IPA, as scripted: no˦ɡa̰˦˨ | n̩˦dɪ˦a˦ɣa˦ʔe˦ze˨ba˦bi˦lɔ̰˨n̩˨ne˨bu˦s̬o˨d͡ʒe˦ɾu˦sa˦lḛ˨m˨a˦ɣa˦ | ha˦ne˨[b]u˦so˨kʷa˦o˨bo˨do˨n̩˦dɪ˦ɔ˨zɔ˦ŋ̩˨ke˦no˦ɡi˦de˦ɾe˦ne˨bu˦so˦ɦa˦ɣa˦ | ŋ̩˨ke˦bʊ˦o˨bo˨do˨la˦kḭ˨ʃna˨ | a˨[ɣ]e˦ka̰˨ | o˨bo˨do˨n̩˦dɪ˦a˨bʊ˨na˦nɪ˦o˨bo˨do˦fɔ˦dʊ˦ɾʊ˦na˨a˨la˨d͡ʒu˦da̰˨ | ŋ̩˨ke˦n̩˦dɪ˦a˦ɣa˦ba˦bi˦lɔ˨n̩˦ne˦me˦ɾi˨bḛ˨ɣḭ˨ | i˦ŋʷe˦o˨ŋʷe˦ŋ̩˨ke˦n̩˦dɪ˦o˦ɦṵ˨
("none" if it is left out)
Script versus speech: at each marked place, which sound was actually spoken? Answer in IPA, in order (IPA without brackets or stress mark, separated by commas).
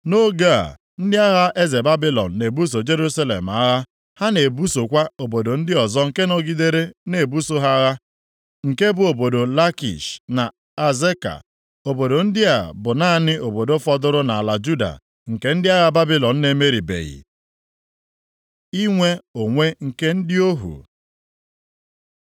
b, z